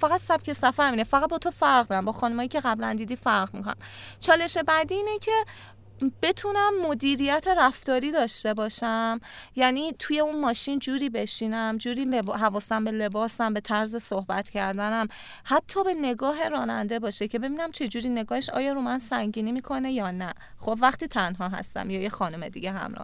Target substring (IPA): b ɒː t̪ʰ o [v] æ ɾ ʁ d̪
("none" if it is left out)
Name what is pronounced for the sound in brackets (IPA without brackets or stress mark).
f